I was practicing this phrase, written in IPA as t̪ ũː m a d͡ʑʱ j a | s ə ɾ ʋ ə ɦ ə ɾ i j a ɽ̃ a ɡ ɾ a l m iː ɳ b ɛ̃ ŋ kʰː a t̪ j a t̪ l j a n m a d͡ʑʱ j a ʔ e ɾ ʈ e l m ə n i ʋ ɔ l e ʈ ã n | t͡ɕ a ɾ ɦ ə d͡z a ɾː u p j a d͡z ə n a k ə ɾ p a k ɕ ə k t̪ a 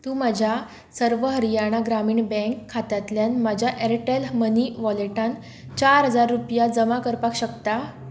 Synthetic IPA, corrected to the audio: t̪ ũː m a d͡ʑʱ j a | s ə ɾ ʋ ə ɦ ə ɾ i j a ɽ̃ a ɡ ɾ a m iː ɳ b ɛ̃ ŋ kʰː a t̪ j a t̪ l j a n m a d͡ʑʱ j a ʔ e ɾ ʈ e l m ə n i ʋ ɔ l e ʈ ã n | t͡ɕ a ɾ ɦ ə d͡z a ɾː u p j a d͡z ə m a k ə ɾ p a k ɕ ə k t̪ a